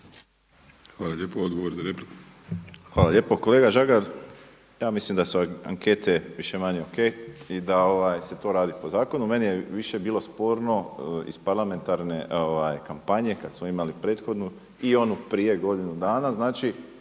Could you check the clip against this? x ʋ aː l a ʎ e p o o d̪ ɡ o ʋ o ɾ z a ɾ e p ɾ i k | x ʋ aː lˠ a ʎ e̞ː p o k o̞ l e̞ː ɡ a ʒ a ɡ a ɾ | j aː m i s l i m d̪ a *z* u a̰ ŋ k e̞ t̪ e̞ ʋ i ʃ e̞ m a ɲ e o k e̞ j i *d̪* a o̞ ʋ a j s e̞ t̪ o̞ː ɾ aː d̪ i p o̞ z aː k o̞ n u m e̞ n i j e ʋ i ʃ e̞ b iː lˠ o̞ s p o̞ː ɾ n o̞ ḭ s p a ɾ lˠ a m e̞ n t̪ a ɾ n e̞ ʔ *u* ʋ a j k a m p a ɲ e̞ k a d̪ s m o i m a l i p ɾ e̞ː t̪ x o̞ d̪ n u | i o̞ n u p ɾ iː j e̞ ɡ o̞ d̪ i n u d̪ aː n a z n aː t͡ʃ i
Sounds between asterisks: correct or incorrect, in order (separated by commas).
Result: incorrect, correct, incorrect